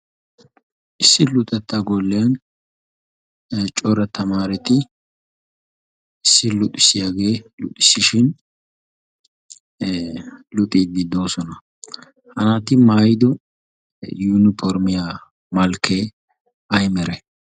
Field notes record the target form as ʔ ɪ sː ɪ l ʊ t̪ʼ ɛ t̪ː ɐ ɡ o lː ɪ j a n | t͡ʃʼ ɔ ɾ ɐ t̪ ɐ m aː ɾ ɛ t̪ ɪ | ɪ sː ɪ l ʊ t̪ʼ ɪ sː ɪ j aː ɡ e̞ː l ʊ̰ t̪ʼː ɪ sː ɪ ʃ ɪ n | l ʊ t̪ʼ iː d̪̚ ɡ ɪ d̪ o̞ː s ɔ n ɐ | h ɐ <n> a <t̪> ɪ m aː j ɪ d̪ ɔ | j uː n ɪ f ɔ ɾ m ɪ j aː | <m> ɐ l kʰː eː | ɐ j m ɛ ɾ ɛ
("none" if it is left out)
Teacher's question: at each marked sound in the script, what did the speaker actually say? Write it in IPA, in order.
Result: n, t̪, m

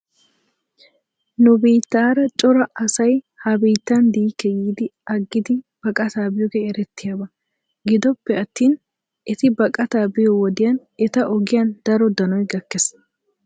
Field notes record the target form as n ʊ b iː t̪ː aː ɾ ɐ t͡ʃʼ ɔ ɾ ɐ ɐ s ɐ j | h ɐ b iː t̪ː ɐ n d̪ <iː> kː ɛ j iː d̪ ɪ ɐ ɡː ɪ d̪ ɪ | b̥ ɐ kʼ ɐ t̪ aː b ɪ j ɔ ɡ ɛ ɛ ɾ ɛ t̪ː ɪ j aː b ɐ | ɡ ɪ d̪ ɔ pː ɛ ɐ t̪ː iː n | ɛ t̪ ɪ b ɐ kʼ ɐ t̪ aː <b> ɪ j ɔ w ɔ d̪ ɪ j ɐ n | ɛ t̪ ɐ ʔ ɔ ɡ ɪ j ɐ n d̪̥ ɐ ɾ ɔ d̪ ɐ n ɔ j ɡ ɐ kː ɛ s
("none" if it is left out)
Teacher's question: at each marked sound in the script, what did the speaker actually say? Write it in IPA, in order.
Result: iː, b

